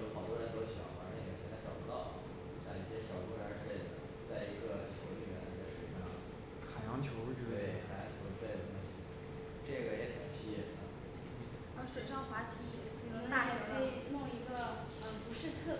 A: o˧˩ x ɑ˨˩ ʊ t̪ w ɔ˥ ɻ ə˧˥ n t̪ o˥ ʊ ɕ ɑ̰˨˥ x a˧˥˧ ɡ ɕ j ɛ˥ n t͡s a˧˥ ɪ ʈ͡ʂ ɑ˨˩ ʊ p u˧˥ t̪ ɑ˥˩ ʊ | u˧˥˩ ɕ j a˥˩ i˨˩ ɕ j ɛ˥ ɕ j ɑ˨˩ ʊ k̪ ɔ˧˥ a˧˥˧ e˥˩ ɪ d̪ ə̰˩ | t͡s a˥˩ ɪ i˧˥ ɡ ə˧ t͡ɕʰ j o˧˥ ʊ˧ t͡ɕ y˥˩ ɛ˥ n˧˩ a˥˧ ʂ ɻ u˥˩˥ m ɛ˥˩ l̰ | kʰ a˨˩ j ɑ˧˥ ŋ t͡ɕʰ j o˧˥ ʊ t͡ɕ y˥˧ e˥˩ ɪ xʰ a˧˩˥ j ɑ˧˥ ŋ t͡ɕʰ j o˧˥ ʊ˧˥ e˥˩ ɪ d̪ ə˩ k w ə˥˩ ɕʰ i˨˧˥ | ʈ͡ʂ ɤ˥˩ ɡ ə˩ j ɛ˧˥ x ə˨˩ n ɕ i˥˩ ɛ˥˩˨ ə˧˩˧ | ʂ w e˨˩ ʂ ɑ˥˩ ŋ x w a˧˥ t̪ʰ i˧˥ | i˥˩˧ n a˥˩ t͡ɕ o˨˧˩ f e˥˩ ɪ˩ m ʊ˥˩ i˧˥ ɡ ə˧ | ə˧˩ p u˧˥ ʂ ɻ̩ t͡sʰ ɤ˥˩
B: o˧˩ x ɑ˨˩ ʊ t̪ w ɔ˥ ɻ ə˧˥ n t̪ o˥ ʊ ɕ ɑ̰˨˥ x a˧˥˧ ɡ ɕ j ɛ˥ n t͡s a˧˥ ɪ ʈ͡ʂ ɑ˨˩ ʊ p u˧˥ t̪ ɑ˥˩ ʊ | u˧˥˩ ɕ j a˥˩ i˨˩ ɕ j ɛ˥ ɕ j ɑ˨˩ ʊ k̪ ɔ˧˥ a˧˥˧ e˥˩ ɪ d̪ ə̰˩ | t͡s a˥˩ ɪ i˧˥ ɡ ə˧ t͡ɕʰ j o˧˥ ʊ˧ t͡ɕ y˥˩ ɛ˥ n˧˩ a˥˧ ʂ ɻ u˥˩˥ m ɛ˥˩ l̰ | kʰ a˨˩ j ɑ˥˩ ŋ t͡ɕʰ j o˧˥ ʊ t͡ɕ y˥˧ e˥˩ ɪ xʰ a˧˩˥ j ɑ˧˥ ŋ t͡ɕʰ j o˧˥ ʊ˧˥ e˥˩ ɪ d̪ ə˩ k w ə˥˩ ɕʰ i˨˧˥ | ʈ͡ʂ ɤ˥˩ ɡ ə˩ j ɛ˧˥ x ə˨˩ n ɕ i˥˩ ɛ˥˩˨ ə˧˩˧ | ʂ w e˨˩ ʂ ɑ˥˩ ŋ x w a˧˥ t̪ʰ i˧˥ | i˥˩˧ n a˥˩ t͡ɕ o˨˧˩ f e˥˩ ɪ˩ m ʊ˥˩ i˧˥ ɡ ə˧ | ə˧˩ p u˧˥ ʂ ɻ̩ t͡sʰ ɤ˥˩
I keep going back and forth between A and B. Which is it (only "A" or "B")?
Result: A